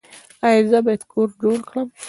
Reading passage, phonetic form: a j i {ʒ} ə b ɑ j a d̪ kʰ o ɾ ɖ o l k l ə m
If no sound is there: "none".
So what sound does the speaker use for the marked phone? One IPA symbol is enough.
z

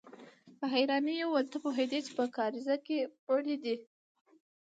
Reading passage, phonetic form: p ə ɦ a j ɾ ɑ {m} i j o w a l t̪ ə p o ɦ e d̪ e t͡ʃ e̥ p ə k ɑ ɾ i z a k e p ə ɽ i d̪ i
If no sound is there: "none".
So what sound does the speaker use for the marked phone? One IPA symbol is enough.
n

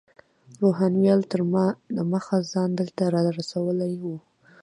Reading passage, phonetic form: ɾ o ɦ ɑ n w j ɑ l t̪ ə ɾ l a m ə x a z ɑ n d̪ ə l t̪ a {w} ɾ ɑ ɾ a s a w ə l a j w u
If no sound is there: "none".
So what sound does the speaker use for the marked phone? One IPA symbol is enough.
none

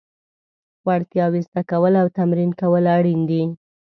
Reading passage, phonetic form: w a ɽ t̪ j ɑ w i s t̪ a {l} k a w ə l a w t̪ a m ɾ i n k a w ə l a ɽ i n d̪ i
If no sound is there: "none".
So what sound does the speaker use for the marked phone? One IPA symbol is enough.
none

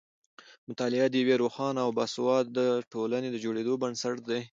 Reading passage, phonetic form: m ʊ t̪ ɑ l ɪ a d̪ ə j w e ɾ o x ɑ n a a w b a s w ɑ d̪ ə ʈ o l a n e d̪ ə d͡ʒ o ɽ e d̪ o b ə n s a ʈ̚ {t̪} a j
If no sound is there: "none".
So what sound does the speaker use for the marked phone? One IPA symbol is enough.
d̪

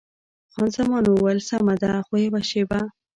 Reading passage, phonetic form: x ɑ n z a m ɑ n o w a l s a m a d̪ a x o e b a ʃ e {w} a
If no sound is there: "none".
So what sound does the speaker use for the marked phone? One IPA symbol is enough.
b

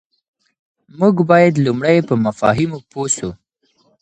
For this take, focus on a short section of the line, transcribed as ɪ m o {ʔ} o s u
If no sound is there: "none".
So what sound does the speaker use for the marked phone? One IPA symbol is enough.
p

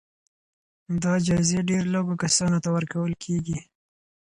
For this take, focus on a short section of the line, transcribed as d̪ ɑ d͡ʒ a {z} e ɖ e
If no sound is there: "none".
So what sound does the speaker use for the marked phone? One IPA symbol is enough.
z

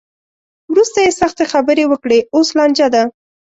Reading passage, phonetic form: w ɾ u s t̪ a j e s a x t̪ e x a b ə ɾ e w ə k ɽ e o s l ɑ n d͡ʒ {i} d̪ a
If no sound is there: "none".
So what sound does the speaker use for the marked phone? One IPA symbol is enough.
a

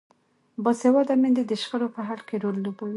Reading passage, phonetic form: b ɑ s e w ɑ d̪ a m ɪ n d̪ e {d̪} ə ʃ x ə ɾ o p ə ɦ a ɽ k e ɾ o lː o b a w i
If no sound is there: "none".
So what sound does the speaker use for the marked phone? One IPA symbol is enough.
d̪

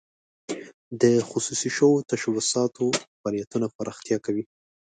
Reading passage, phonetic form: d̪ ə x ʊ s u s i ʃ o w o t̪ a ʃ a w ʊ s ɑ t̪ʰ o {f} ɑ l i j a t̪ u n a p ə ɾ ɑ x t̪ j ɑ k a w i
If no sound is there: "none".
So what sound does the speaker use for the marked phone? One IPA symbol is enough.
f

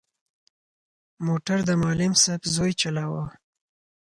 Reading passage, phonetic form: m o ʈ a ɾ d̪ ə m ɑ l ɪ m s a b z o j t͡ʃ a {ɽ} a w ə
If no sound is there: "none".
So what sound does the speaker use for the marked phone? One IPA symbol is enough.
l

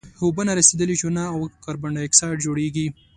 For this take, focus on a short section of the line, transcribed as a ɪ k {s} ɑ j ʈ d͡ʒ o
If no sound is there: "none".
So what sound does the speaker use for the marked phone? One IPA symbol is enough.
s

